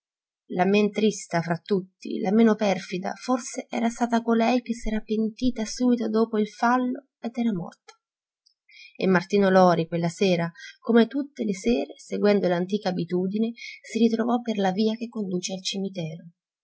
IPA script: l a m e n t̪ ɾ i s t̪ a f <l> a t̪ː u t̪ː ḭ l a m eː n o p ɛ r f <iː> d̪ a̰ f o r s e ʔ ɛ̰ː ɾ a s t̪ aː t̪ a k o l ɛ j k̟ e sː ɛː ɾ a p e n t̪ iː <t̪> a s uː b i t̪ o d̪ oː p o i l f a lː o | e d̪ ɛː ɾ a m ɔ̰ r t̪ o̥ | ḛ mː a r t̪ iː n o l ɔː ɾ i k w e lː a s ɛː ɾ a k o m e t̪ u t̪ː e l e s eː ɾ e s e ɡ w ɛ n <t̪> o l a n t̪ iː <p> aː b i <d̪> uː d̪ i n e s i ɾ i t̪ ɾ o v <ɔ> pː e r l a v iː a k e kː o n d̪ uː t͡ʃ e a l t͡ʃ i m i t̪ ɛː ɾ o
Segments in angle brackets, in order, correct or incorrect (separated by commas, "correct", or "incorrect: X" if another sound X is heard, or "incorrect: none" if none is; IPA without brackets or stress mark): incorrect: ɾ, incorrect: i, correct, incorrect: d̪, incorrect: k, incorrect: t̪, correct